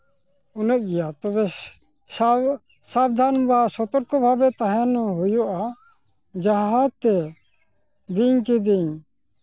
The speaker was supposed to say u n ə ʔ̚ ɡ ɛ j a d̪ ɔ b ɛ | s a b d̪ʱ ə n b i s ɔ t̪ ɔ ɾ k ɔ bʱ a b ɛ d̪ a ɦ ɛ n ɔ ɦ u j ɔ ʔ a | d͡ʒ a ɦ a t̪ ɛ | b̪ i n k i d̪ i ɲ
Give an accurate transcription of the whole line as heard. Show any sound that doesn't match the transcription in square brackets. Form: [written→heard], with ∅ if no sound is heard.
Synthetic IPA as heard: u n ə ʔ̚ ɡ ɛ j a [d̪→t̪] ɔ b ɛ | s a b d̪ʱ [ə→a] n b [i→a] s ɔ t̪ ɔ ɾ k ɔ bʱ a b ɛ [d̪→t̪] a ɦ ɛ n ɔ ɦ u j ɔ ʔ a | d͡ʒ a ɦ a t̪ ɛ | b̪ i [n→ɲ] k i d̪ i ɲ